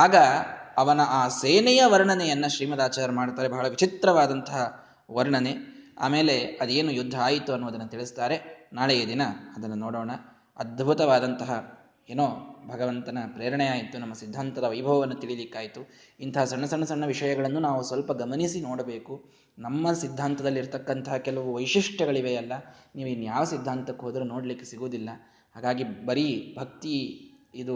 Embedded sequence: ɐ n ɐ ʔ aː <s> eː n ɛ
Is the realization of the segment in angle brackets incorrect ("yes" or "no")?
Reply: no